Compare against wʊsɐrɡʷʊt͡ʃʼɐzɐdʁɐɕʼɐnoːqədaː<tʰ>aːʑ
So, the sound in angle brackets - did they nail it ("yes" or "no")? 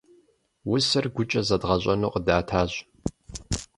yes